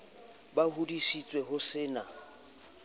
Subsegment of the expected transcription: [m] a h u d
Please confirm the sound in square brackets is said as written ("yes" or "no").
no